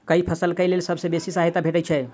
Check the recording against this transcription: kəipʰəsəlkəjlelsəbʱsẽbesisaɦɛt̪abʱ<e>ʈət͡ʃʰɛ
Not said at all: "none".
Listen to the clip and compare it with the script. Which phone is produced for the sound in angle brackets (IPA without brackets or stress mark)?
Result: e